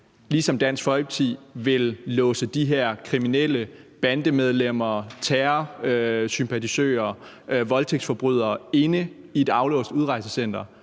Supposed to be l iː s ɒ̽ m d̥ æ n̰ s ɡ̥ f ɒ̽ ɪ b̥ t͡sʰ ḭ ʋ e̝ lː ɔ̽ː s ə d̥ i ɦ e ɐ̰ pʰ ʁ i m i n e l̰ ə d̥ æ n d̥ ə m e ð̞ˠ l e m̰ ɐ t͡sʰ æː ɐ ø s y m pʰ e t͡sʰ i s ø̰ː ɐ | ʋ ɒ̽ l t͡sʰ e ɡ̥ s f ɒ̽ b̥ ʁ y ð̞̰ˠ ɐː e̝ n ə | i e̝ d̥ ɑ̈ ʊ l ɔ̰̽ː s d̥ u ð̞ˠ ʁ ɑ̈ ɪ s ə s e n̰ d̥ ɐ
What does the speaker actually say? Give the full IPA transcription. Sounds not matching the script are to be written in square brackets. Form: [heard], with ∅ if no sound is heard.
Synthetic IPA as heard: l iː s ɒ̽ m d̥ æ n̰ s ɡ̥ f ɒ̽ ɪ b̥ t͡sʰ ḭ ʋ e̝ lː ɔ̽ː s ə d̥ i ɦ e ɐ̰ [kʰ] ʁ i m i n e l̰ ə [b̥] æ n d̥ ə m e ð̞ˠ l e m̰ ɐ t͡sʰ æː ɐ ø s y m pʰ [æ] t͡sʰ i s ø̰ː ɐ | ʋ ɒ̽ l t͡sʰ e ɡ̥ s f ɒ̽ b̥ ʁ y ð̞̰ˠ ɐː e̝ n ə | i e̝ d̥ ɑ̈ ʊ l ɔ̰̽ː s d̥ u ð̞ˠ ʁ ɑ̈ ɪ s ə s e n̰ d̥ ɐ